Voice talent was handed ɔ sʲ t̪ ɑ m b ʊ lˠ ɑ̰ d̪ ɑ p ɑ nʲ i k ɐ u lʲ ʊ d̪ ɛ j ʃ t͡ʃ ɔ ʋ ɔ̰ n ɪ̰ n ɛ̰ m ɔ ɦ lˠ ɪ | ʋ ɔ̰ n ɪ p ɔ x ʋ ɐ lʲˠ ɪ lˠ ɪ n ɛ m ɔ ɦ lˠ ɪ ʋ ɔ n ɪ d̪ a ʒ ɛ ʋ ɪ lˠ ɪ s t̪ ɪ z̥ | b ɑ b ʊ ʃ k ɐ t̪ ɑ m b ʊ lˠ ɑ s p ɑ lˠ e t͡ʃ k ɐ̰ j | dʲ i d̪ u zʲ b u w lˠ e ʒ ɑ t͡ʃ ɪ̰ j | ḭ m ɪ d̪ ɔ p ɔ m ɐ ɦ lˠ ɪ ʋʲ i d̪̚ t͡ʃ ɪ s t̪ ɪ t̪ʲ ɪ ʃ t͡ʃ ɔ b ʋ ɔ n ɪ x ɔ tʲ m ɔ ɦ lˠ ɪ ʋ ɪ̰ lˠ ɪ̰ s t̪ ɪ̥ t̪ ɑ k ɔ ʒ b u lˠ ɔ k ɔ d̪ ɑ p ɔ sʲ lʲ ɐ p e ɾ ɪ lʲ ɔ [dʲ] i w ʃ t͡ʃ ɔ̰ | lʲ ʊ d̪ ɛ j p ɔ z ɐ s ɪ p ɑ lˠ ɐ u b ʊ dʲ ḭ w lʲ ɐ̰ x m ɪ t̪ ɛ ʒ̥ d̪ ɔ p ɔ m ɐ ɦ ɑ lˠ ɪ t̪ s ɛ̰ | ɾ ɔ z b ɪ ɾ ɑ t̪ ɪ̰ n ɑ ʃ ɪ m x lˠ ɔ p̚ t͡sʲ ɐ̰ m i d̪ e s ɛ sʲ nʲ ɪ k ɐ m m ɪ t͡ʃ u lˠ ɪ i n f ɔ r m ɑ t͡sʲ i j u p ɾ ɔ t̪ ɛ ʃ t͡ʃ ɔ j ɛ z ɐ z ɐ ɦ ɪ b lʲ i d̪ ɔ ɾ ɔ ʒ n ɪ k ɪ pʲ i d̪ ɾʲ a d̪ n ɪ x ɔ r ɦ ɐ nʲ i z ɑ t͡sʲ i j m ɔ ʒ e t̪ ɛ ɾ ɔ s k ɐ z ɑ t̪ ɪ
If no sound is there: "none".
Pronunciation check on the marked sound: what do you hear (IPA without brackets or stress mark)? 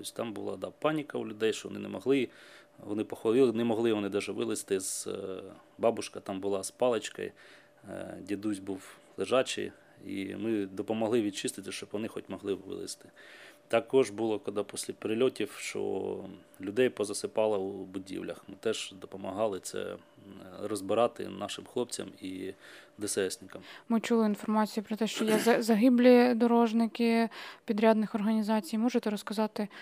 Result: tʲ